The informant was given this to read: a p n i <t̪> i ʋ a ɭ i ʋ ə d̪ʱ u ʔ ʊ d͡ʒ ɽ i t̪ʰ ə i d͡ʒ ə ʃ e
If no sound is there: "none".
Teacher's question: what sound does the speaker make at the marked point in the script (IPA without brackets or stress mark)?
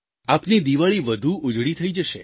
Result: d̪